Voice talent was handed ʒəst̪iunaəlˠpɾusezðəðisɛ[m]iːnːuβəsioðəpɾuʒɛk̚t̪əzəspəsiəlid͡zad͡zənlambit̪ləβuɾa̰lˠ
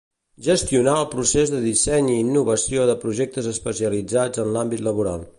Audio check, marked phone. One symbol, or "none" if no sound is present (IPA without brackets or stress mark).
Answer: ɲ